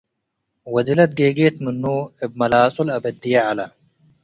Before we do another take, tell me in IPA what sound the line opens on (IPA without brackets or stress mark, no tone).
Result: w